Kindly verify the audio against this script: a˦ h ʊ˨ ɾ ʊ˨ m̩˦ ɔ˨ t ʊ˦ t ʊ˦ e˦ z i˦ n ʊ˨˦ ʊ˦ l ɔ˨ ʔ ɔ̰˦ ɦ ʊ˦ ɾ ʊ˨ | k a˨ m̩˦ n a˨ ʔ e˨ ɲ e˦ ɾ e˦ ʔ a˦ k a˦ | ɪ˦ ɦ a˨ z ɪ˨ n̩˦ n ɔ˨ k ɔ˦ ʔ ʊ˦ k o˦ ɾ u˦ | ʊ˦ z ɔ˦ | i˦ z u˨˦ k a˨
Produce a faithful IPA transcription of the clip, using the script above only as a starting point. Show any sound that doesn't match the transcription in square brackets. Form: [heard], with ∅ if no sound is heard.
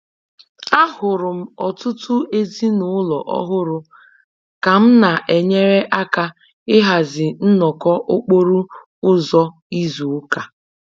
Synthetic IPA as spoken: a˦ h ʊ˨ ɾ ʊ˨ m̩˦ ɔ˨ t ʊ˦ t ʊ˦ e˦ z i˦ n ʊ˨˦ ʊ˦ l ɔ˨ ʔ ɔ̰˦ ɦ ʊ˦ ɾ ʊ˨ | k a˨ m̩˦ n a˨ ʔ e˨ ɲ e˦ ɾ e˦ ʔ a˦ k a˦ | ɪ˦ ɦ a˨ z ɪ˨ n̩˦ n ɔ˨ k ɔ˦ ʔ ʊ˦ [k͡p] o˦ ɾ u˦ | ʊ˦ z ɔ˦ | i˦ z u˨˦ k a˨